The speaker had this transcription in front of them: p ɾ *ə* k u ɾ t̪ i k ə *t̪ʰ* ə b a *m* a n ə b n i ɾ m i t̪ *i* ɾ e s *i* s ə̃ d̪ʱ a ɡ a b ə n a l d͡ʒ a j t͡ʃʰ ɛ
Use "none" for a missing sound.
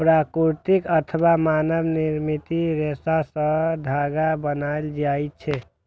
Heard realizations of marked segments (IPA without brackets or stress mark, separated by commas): a, t̪ʰ, m, i, a